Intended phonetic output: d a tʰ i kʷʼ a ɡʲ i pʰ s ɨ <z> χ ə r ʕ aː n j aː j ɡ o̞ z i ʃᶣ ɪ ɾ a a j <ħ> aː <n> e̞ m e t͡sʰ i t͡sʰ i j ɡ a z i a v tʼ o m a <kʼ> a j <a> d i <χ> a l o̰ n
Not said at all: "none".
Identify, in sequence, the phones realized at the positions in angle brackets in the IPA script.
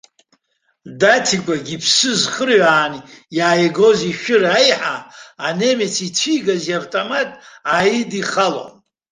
z, ħ, n, tʼ, i, χ

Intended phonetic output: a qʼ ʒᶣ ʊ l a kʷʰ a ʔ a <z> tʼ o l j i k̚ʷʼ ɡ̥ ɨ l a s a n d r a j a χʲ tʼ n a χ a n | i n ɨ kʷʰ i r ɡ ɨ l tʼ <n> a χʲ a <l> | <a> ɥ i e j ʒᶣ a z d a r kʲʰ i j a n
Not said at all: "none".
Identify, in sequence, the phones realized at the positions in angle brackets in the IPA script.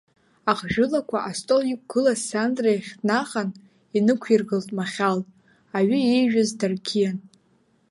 s, m, l, a

